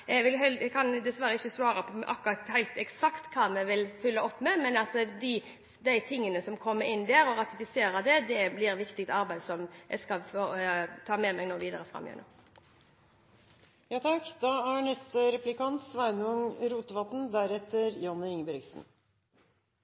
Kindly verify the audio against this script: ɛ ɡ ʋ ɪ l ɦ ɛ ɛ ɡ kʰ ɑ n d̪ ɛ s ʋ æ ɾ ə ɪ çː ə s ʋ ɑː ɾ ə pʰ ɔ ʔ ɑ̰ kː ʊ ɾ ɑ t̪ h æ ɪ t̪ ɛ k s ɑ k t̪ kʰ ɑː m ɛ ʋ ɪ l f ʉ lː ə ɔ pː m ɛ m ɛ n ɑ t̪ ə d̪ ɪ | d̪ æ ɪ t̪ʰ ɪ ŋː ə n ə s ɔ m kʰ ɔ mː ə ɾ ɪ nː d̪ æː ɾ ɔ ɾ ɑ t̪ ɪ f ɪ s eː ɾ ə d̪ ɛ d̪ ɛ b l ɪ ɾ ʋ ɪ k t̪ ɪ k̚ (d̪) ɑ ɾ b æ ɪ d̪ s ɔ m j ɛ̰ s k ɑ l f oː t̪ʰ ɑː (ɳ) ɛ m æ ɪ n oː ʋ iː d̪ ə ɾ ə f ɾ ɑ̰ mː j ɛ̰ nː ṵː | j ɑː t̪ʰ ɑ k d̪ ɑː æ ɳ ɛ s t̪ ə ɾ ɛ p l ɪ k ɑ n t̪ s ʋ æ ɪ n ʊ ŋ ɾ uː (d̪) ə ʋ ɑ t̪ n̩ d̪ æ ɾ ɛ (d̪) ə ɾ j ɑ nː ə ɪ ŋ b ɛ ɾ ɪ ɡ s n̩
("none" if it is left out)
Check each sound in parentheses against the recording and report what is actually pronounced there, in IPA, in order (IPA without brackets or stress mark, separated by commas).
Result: t̪, m, t̪, t̪